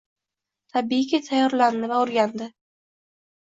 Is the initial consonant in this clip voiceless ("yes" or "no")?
yes